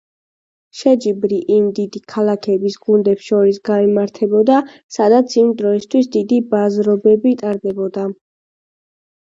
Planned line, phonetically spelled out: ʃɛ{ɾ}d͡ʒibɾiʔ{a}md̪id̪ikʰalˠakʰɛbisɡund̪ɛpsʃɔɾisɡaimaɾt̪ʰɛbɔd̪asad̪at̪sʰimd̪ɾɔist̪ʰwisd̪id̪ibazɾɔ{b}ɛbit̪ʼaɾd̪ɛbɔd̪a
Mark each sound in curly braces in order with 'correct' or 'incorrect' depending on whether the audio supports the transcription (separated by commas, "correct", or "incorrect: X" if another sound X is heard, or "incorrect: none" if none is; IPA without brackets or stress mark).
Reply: incorrect: none, incorrect: i, correct